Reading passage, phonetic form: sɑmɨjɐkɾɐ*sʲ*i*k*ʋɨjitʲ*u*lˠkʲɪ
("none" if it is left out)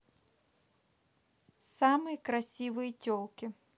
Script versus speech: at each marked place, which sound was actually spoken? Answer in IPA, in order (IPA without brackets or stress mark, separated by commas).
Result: sʲ, none, ɔ